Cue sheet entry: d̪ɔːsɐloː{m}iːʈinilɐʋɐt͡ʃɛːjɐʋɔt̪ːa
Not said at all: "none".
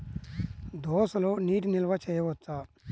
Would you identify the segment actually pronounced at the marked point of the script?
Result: n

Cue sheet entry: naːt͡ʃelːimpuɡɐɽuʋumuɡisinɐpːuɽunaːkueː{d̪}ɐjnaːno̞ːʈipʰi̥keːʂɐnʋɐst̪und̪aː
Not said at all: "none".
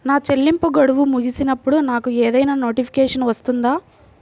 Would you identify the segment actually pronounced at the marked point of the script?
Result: d̪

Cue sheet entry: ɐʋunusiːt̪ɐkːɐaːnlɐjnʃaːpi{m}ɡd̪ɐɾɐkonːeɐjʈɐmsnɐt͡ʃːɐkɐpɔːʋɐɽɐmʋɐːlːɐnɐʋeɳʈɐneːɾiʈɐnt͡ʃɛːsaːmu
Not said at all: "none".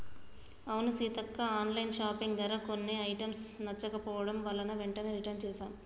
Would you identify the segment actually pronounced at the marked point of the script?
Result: ŋ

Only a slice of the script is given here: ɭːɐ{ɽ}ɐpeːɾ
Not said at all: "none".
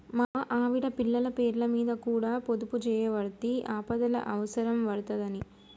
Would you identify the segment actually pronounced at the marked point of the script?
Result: l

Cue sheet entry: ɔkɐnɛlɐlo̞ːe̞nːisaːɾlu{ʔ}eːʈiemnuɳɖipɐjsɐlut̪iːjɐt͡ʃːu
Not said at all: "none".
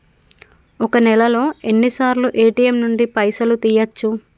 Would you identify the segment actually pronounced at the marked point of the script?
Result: ʔ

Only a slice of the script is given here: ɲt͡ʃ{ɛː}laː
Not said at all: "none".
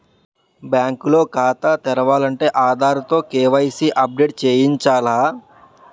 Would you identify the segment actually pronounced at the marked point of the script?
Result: aː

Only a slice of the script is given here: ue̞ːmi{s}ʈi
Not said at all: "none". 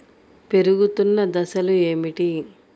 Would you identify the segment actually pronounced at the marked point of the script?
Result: none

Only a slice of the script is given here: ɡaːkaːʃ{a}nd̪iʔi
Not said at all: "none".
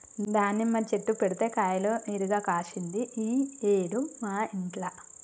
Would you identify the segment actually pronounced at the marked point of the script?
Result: i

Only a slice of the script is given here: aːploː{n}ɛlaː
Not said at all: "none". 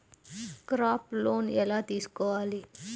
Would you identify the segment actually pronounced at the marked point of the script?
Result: n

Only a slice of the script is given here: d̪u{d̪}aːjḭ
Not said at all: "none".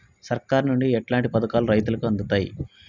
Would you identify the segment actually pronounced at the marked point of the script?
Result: t̪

